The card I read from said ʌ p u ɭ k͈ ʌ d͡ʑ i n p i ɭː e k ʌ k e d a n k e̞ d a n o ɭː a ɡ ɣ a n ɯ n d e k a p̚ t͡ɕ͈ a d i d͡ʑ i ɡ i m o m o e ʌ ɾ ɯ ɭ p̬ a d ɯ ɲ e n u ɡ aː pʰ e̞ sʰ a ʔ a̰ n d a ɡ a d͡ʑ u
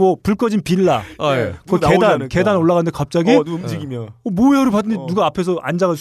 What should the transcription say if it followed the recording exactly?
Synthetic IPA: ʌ p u ɭ k͈ ʌ d͡ʑ i n p i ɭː a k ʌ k e d a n k e̞ d a n o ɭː a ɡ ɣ a n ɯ n d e k a p̚ t͡ɕ͈ a ɡ i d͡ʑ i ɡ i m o m o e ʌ ɾ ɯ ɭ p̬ a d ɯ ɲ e n u ɡ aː pʰ e̞ sʰ ʌ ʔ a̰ n d͡ʑ a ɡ a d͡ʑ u